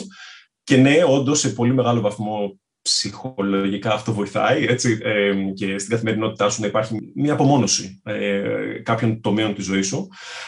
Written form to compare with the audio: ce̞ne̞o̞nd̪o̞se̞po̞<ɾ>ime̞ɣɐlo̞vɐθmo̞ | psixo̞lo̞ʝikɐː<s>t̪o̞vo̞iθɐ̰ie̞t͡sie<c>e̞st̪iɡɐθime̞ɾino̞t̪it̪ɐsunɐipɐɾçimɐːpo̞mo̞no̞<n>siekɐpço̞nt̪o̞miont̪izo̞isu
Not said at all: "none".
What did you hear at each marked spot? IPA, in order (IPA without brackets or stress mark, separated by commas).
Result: l, f, c, none